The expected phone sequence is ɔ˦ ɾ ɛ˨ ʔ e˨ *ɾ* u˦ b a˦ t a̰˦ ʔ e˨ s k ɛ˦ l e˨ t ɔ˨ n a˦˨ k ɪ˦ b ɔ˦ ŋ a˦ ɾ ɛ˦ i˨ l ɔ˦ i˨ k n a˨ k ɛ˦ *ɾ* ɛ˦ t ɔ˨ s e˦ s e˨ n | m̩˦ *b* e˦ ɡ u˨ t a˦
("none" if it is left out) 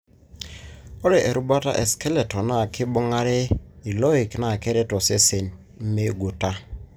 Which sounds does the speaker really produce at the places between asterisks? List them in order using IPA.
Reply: ɾ, ɾ, m

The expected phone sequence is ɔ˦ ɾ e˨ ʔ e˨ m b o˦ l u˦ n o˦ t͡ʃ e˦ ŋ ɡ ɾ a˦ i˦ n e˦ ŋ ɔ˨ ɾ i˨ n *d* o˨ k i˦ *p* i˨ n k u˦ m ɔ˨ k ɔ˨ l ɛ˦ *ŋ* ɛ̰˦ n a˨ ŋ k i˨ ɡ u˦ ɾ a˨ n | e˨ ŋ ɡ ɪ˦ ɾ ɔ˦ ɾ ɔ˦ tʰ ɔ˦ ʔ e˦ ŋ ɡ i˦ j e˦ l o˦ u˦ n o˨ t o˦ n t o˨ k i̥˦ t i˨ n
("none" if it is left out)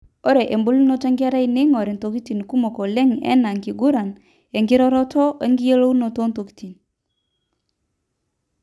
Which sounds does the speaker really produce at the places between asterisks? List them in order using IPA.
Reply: t, t, ŋ

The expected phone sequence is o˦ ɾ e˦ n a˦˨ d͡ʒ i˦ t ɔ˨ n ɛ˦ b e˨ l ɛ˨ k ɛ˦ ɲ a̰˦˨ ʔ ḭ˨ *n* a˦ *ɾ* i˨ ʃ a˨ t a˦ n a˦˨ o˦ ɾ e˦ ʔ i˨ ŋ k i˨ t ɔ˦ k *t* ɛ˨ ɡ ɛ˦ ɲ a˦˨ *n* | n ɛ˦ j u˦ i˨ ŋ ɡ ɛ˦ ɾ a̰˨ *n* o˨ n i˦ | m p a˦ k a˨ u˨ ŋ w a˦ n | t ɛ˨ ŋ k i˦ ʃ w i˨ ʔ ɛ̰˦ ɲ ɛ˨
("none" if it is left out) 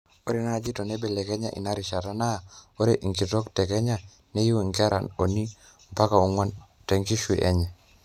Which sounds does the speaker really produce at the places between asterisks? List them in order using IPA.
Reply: n, ɾ, t, none, n

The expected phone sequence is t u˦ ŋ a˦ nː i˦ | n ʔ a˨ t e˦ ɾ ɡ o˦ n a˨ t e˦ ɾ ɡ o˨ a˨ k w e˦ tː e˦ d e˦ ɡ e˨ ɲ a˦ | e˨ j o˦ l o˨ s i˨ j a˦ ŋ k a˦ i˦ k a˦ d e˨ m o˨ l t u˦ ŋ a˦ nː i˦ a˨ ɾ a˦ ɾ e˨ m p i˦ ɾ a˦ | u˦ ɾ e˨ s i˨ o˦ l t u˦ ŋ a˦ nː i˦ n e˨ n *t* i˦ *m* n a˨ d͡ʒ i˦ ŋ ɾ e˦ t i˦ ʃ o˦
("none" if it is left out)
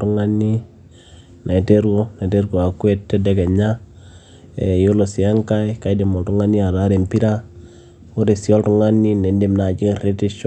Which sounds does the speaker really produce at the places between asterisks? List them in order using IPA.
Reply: d, m

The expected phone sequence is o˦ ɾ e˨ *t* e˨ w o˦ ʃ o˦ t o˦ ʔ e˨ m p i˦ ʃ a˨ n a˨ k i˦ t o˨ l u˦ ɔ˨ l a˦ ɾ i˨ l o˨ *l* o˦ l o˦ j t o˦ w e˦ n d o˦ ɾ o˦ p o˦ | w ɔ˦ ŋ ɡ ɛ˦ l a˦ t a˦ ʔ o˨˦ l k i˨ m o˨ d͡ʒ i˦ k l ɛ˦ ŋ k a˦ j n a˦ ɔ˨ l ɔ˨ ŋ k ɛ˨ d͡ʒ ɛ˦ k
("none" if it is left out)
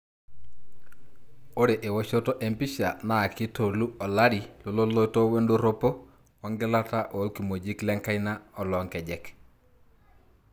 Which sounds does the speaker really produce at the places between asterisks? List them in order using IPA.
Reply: ʔ, l

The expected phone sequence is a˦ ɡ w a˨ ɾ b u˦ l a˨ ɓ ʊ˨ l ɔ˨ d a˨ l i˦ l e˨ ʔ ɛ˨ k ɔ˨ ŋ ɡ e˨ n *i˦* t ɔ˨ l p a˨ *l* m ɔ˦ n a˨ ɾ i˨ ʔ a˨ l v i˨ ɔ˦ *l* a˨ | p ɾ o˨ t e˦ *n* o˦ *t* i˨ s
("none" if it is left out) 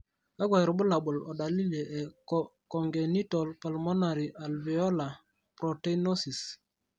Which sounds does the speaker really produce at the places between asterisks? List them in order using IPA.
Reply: i˦, l, l, n, s

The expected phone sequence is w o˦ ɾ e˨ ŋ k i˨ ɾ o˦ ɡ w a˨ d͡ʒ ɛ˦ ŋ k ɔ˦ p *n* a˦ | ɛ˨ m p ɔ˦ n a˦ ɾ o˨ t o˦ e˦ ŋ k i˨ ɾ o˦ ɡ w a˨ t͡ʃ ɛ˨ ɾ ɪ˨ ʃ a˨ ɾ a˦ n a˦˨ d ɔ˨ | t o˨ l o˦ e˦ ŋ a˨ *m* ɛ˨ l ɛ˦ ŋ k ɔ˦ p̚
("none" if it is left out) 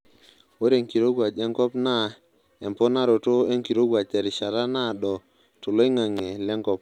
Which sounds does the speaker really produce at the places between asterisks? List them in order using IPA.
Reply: n, ŋ

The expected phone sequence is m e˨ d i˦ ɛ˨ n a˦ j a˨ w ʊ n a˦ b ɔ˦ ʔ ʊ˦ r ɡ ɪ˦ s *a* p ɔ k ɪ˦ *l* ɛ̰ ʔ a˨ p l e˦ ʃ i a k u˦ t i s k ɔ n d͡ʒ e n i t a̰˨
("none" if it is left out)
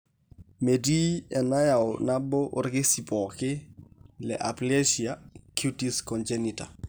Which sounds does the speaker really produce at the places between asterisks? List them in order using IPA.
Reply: i, l

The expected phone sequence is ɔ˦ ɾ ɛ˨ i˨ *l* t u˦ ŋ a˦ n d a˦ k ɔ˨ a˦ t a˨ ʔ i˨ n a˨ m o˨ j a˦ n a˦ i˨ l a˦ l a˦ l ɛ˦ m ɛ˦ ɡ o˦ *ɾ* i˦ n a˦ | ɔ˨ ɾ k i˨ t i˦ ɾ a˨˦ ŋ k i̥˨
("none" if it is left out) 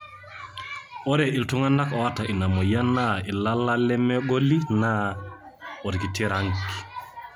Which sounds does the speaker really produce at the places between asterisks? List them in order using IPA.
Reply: l, l

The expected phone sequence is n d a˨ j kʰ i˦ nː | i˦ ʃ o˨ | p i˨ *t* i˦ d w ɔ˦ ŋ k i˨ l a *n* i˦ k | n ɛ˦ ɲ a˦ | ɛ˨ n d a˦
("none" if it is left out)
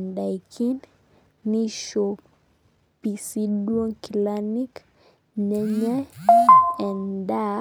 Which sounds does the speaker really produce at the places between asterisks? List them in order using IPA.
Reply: s, n

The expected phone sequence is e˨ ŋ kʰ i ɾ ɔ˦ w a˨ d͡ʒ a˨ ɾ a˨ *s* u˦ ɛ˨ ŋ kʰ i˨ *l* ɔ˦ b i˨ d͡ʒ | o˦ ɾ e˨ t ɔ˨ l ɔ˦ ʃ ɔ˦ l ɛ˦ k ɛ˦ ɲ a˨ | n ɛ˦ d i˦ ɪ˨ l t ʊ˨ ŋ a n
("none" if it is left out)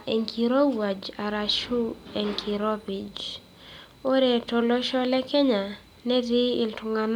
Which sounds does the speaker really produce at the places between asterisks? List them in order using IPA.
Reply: ʃ, ɾ

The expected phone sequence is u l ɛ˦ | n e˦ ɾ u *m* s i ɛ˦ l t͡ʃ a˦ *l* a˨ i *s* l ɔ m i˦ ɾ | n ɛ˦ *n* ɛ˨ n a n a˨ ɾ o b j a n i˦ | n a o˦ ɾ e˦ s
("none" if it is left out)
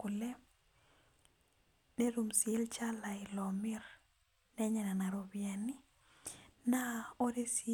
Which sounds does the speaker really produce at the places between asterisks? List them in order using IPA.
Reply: m, l, none, ɲ

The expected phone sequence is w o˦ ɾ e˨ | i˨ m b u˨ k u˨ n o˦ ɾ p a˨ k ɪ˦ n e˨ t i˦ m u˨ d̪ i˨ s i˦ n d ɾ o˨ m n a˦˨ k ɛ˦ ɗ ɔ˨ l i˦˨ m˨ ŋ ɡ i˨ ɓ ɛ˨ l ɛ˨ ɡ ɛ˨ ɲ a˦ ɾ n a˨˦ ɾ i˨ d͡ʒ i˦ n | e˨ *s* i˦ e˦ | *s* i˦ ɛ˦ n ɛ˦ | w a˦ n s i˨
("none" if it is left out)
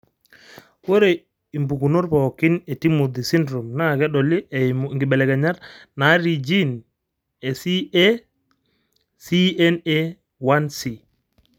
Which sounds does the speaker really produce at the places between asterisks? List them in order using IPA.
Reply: s, s

